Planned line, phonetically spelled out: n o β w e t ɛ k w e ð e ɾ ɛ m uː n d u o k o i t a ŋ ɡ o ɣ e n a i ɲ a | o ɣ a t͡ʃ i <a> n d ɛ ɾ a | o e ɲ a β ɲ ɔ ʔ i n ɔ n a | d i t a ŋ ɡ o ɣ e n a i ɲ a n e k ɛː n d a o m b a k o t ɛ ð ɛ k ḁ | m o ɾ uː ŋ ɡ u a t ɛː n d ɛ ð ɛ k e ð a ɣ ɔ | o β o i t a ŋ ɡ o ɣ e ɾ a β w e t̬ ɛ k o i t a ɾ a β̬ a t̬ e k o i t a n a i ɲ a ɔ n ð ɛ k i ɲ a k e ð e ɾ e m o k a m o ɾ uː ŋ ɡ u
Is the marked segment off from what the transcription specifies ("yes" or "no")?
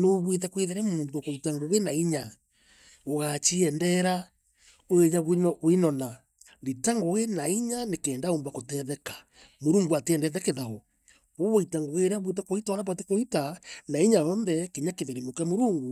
yes